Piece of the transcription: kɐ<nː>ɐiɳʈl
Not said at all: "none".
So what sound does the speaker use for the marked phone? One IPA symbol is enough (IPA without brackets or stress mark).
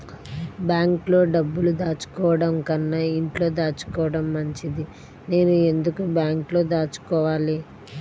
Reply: nː